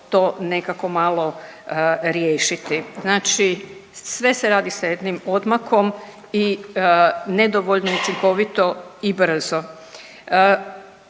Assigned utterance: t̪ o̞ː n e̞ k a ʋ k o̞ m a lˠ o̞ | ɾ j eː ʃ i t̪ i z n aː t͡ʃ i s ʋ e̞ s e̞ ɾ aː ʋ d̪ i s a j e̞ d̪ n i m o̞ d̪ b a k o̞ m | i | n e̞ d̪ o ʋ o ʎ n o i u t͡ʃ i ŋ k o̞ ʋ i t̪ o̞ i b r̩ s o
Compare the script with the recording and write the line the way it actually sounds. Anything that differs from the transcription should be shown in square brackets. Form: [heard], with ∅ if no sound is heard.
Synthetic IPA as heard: t̪ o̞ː n e̞ k a [∅] k o̞ m a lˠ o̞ | ɾ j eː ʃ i t̪ i z n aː t͡ʃ i s ʋ e̞ s e̞ ɾ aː [∅] d̪ i s a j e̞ d̪ n i m o̞ d̪ [m] a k o̞ m | i | n e̞ d̪ o ʋ o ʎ n o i u t͡ʃ i ŋ k o̞ ʋ i t̪ o̞ i b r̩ [z] o

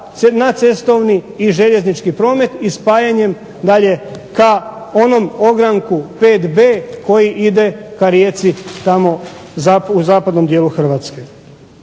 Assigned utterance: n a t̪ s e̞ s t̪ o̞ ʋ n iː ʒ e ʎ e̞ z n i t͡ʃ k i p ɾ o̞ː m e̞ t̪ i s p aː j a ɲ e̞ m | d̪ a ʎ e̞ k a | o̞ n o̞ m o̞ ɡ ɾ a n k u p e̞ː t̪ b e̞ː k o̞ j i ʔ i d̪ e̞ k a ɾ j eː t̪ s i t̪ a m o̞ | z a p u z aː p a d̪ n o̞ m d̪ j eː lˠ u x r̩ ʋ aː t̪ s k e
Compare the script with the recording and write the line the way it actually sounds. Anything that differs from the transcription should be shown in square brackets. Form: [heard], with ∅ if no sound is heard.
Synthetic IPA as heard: n a t̪ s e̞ s t̪ o̞ ʋ n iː ʒ e ʎ e̞ z n i t͡ʃ k i p ɾ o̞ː m e̞ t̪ i s p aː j a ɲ e̞ m | d̪ a ʎ e̞ k a | o̞ n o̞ m o̞ ɡ ɾ a [ŋ] k u p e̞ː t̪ b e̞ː k o̞ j i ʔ i d̪ e̞ k a ɾ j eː t̪ s i t̪ a m o̞ | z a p u z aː p a d̪ n o̞ m d̪ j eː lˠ u x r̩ ʋ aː t̪ s k e

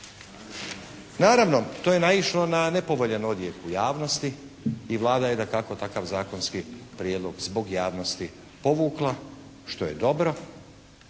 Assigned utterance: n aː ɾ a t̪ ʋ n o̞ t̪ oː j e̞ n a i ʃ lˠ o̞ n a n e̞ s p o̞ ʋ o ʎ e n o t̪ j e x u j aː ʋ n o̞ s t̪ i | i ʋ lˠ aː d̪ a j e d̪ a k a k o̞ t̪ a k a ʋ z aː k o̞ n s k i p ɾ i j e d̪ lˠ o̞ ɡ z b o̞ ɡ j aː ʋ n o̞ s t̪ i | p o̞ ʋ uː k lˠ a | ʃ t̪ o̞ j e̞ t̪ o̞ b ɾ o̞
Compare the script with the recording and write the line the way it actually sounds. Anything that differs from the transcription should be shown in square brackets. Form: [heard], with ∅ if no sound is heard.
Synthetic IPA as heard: n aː ɾ a [∅] ʋ n o̞ t̪ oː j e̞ n a i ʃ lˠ o̞ n a n e̞ [∅] p o̞ ʋ o ʎ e n o [d̪] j e [k] u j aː ʋ n o̞ s t̪ i | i ʋ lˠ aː d̪ a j e d̪ a k a k o̞ t̪ a k a ʋ z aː k o̞ n s k i p ɾ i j e d̪ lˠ o̞ ɡ z b o̞ ɡ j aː ʋ n o̞ s t̪ i | p o̞ ʋ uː k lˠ a | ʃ t̪ o̞ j e̞ [d̪] o̞ b ɾ o̞

